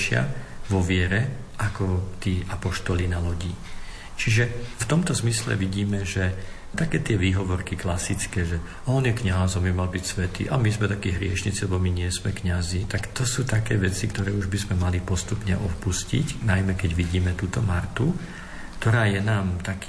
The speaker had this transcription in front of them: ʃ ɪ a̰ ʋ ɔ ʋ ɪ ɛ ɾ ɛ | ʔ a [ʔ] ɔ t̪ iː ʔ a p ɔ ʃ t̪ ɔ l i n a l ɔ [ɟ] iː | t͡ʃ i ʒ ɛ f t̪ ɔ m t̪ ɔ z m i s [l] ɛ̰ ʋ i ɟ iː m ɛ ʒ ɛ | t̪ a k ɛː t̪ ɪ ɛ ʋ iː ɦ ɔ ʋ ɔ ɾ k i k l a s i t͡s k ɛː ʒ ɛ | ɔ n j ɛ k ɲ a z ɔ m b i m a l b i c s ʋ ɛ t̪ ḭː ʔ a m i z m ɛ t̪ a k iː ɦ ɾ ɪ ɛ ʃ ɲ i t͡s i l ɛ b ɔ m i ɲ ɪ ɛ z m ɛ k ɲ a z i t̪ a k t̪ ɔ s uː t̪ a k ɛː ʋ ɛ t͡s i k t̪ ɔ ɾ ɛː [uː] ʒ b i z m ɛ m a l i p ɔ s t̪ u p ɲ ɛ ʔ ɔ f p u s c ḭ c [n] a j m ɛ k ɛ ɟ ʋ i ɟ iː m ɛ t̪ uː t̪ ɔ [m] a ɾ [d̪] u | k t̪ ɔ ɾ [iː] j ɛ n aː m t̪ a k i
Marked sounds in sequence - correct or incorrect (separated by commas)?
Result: incorrect, correct, correct, incorrect, correct, correct, incorrect, incorrect